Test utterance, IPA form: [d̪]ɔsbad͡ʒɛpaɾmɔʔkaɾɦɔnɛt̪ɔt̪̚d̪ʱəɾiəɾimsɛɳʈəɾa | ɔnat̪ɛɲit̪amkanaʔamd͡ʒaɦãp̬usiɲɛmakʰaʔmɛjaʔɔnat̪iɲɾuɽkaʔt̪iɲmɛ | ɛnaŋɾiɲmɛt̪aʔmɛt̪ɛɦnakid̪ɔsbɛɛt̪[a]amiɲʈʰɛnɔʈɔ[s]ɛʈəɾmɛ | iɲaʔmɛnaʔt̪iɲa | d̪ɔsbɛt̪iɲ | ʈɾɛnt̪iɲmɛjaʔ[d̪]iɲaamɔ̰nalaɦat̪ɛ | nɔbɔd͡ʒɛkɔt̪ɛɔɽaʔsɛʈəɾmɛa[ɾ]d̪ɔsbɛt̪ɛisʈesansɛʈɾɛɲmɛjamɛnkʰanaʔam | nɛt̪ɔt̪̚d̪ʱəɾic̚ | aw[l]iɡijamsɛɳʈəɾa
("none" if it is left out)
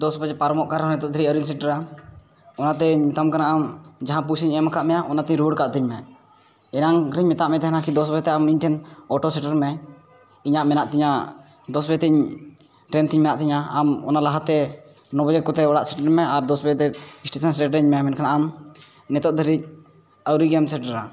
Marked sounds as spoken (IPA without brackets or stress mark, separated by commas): d̪, ɛ, s, t̪, ɾ, ɾ